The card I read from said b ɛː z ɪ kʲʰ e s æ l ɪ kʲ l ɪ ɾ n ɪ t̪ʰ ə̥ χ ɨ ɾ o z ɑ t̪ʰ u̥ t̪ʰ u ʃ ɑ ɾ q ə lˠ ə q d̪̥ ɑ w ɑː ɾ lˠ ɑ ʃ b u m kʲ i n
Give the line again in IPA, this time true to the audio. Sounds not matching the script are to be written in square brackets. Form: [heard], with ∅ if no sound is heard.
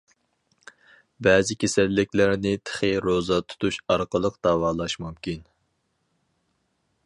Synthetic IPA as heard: b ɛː z ɪ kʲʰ e s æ [lː] ɪ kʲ l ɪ ɾ n ɪ t̪ʰ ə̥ χ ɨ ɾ o z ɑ t̪ʰ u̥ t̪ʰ u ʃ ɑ ɾ q ə lˠ ə q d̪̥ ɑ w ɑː [∅] lˠ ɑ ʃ [m] u m kʲ i n